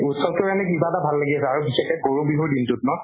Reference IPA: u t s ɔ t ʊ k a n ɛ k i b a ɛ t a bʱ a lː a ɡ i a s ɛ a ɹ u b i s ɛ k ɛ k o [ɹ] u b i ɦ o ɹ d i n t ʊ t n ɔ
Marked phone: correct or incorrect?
correct